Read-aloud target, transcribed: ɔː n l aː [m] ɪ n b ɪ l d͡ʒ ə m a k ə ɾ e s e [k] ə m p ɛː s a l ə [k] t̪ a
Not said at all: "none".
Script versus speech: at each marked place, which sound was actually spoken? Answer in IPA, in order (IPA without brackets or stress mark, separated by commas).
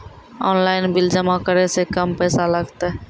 none, k, ɡ